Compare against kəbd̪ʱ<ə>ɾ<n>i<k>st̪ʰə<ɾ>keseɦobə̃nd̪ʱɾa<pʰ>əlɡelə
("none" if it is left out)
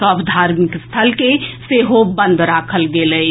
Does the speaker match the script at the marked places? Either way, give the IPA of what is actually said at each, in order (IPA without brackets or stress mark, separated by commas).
a, m, k, l, kʰ